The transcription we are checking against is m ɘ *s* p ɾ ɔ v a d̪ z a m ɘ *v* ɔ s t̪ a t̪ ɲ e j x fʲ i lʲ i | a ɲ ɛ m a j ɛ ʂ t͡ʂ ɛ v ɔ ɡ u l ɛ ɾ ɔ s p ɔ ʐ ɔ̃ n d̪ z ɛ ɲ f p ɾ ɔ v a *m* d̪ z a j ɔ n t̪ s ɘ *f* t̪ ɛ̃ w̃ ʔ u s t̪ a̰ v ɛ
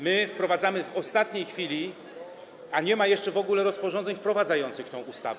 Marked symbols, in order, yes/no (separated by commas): no, yes, no, no